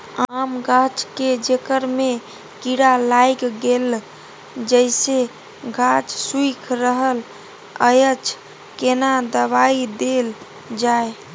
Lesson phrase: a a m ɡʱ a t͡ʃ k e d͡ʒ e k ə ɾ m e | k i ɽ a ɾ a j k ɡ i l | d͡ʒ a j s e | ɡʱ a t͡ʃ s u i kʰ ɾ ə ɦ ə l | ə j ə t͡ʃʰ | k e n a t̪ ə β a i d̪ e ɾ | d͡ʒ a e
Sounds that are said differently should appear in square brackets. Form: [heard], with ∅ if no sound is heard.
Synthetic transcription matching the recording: a a m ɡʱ a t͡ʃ k e d͡ʒ e k ə ɾ m e | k i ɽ a [l] a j k ɡ [e] l | d͡ʒ [ə] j s e | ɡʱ a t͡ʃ s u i kʰ ɾ ə ɦ ə l | ə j ə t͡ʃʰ | k e n a [d̪] ə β a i d̪ e [l] | d͡ʒ a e

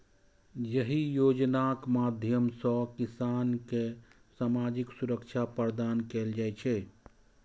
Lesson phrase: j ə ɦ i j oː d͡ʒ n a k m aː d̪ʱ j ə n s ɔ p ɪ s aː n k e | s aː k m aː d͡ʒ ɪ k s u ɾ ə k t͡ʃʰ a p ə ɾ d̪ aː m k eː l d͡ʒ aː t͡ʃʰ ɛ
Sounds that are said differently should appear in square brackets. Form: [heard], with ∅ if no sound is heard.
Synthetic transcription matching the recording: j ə ɦ i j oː d͡ʒ n a k m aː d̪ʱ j ə [m] s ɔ [k] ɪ s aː n k e | s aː [∅] m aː d͡ʒ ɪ k s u ɾ ə k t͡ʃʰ a p ə ɾ d̪ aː [n] k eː l d͡ʒ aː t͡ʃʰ ɛ

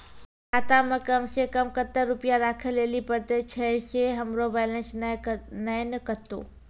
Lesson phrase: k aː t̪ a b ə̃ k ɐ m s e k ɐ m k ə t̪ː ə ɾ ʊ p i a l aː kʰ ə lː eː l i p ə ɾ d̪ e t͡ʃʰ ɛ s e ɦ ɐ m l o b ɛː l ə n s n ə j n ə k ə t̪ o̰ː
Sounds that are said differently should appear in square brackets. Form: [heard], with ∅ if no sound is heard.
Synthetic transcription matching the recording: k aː t̪ a [m] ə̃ k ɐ m s e k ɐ m k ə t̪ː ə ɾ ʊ p [j] a [ɾ] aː kʰ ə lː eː l i p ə ɾ [t̪] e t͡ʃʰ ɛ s e ɦ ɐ m [ɾ] o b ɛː l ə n s n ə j n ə k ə t̪ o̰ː

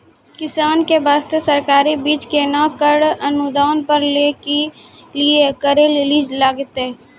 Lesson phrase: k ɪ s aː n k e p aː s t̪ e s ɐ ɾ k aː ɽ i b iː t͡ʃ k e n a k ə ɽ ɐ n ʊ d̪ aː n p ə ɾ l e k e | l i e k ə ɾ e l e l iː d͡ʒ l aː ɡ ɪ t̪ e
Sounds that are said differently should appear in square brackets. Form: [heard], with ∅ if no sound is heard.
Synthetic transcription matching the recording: k ɪ s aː n k e [b] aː s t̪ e s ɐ ɾ k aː [ɾ] i b iː t͡ʃ k e n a k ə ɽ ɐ n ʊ d̪ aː n p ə ɾ l e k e | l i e k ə ɾ e l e l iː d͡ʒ l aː ɡ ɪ t̪ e

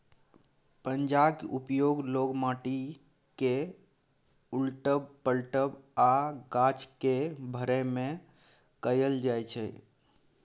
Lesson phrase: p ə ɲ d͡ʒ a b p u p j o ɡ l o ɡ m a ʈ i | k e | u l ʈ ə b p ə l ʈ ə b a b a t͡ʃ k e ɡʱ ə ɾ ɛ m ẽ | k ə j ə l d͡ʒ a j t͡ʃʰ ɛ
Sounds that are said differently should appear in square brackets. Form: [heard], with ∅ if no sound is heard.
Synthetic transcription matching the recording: p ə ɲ d͡ʒ a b [k] u p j o ɡ l o ɡ m a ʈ i | k e | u l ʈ ə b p ə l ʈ ə b a [ɡ] a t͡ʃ k e [bʱ] ə ɾ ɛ m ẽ | k ə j ə l d͡ʒ a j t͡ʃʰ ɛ

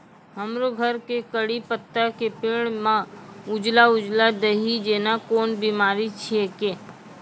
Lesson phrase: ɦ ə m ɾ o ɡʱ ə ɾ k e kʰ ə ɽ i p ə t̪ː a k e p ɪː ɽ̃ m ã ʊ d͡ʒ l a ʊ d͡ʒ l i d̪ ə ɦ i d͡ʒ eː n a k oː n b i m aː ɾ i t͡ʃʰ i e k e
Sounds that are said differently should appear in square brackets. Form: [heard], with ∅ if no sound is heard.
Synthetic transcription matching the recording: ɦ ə m ɾ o ɡʱ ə ɾ k e [k] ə ɽ i p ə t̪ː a k e p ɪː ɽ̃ m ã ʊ d͡ʒ l a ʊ d͡ʒ l [a] d̪ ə ɦ i d͡ʒ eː n a k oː n b i m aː ɾ i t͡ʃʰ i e k e

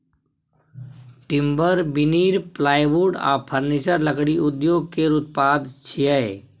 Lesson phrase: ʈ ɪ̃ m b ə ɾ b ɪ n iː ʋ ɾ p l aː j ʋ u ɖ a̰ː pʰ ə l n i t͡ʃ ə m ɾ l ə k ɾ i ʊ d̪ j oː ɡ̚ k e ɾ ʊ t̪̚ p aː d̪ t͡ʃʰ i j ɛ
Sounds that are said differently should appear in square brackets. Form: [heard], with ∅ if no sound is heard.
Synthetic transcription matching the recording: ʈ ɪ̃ m b ə ɾ b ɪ n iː [∅] ɾ p l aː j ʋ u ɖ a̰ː pʰ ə [ɾ] n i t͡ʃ ə [∅] ɾ l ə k [ɽ] i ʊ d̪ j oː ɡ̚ k e ɾ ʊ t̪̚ p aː d̪ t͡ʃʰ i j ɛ

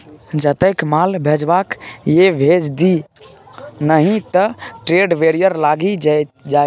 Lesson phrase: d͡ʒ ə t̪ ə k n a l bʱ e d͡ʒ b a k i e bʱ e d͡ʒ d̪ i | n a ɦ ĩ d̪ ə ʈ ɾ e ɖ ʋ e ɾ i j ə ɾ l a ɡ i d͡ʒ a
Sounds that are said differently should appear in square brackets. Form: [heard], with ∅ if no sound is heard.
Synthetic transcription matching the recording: d͡ʒ ə t̪ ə k [m] a l bʱ e d͡ʒ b a k [j] e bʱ e d͡ʒ d̪ i | n [ə] ɦ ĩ [t̪] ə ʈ ɾ e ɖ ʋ e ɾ i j ə ɾ l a ɡ i d͡ʒ a

